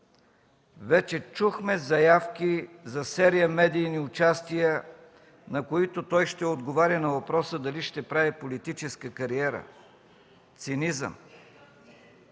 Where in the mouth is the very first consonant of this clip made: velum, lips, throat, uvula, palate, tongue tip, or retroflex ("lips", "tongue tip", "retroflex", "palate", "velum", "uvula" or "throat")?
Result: lips